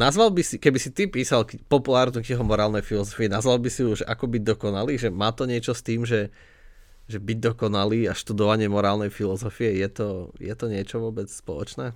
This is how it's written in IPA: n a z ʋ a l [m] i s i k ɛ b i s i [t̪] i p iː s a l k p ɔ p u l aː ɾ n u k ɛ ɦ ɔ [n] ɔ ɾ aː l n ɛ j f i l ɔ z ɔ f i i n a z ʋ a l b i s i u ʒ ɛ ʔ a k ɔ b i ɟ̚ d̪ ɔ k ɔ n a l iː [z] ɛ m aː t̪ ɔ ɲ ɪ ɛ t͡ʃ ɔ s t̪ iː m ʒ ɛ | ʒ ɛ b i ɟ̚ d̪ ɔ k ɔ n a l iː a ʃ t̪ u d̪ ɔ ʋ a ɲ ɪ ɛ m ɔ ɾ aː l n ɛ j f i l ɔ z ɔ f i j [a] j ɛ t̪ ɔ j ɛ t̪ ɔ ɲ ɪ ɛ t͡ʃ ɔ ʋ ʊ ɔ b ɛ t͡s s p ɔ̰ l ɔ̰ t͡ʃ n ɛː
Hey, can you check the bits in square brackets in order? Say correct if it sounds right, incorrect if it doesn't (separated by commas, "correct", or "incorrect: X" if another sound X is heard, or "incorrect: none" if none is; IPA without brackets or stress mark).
incorrect: b, correct, incorrect: m, incorrect: ʒ, incorrect: ɛ